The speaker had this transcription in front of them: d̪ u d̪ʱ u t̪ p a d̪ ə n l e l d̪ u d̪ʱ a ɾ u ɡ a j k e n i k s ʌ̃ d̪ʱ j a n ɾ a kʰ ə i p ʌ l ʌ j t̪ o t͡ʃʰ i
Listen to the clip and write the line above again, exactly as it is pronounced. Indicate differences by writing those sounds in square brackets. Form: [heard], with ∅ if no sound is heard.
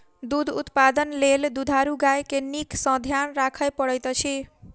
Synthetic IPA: d̪ u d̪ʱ u t̪ p a d̪ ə n l e l d̪ u d̪ʱ a ɾ u ɡ a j k e n i k s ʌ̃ d̪ʱ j a n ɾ a kʰ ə [j] p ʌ [ɽ] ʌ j t̪ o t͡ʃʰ i